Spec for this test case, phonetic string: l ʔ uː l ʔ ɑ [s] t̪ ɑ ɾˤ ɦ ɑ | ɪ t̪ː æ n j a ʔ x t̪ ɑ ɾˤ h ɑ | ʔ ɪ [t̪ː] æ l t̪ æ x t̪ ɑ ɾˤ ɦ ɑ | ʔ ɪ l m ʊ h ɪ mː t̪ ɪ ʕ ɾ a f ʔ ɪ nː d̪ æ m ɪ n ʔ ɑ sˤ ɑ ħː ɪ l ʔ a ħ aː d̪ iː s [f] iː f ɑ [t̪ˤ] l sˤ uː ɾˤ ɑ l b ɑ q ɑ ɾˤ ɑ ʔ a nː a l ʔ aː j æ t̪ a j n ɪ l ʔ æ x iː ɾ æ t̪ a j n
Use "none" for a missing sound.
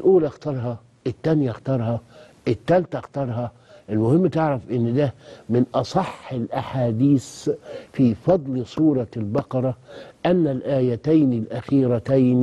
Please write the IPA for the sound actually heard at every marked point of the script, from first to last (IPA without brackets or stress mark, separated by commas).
x, t̪ː, f, d̪ˤ